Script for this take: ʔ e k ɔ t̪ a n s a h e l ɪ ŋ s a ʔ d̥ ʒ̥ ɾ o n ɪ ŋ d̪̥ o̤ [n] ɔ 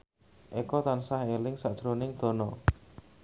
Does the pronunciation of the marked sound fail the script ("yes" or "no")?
no